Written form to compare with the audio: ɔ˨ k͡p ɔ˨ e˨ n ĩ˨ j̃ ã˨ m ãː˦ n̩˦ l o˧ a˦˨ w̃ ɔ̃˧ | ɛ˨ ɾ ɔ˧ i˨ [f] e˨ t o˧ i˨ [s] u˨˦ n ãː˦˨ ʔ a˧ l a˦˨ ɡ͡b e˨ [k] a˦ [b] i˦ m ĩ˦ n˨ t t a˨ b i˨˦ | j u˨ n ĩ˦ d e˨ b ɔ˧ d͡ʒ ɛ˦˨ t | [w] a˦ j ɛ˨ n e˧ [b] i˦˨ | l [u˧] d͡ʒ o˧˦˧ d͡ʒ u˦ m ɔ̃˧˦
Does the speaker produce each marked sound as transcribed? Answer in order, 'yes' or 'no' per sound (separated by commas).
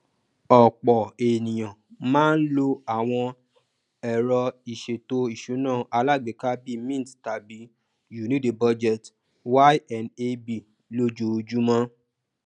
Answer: no, no, yes, yes, yes, yes, no